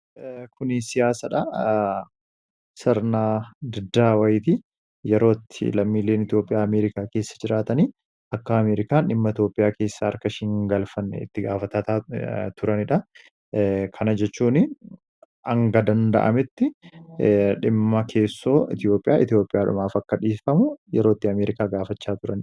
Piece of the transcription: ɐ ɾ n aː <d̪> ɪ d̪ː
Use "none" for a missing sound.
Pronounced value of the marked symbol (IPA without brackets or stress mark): d̪